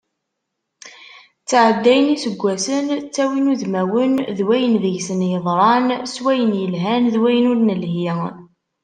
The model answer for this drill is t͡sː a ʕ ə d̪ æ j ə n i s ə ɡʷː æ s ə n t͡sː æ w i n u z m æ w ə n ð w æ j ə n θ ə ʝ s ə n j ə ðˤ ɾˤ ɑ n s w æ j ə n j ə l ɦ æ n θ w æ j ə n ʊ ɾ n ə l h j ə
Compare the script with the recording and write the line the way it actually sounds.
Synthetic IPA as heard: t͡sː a ʕ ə d̪ː æ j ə n i s ə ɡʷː æ s ə n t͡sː æ w i n u ð m æ w ə n ð w æ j ə n ð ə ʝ s ə n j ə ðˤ ɾˤ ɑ n s w æ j ə n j ə l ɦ æ n ð w æ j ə n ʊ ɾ n ə l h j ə